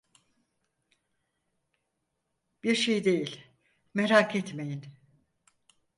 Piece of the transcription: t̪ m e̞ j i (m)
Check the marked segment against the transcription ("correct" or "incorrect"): incorrect